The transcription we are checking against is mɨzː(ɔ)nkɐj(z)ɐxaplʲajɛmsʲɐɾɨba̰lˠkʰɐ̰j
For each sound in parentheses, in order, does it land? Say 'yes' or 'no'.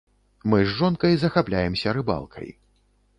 yes, yes

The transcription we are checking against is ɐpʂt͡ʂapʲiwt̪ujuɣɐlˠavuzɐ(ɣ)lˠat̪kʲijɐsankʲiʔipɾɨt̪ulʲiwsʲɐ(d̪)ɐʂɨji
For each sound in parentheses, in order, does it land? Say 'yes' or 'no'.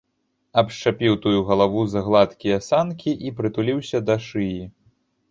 yes, yes

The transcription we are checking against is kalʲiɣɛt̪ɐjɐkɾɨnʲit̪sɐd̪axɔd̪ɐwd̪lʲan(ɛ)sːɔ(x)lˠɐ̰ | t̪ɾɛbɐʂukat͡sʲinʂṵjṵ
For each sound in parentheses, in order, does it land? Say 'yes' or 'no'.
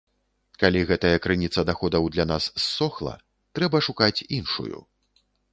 no, yes

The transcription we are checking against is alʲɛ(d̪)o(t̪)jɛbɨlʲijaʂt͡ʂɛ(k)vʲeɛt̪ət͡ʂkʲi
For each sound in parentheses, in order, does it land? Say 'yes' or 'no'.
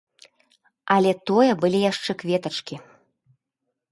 no, no, yes

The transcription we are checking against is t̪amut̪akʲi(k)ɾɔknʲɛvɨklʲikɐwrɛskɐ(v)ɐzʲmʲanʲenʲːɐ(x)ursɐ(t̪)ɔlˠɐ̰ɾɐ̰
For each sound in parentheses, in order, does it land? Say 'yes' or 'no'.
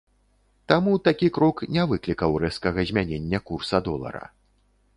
yes, no, no, no

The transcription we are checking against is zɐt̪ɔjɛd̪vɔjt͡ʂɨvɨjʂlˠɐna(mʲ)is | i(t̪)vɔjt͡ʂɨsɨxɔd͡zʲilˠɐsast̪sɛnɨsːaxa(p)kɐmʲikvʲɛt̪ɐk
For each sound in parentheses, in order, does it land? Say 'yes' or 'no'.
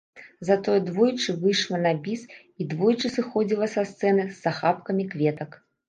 no, no, yes

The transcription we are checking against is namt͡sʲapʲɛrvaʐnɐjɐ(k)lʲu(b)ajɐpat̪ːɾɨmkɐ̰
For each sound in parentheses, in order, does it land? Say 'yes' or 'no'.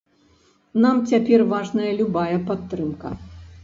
no, yes

